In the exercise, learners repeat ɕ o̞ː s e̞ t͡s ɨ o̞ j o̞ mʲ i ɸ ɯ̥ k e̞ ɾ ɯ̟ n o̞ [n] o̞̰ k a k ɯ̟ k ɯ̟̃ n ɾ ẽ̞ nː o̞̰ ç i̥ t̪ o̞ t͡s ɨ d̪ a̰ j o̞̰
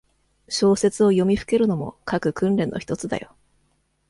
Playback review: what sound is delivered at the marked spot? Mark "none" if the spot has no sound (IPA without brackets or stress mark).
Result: m